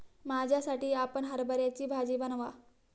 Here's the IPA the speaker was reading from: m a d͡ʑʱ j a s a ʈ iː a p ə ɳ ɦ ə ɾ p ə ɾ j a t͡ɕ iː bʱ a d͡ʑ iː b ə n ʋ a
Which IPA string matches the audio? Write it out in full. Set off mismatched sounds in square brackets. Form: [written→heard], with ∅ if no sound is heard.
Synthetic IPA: m a d͡ʑʱ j a s a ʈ iː a p ə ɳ ɦ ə ɾ [p→b] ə ɾ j a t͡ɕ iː bʱ a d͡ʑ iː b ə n ʋ a